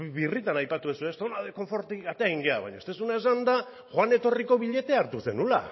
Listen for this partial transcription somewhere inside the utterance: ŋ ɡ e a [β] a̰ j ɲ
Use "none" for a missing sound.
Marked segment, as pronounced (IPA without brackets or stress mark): β